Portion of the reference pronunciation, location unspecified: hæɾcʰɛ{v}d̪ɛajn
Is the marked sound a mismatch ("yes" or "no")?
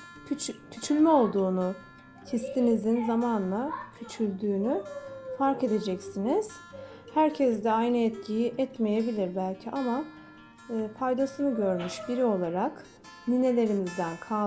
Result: yes